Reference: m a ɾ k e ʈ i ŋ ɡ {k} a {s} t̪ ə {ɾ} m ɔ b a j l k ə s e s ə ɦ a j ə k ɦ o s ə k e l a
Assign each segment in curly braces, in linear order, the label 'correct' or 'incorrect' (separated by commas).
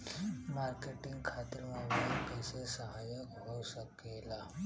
incorrect, incorrect, correct